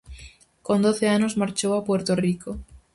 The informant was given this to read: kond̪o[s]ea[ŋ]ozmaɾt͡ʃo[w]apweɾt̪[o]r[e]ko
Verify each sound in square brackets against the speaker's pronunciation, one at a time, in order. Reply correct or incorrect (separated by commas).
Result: incorrect, incorrect, correct, correct, incorrect